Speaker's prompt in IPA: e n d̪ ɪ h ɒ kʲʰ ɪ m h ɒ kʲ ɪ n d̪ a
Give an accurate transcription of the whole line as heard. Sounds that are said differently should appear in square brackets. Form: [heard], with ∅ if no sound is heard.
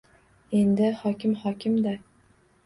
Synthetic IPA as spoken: e n d̪ ɪ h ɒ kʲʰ ɪ m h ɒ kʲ ɪ [m] d̪ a